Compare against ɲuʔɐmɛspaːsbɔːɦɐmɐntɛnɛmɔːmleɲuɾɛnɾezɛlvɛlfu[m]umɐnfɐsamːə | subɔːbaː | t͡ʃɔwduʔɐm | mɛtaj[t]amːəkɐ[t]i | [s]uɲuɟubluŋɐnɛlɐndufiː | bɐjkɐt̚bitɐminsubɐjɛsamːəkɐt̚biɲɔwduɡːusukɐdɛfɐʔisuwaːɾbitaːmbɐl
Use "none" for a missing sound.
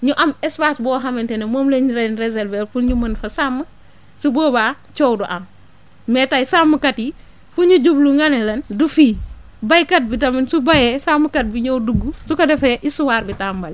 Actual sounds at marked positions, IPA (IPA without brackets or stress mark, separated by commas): ɲ, s, t, f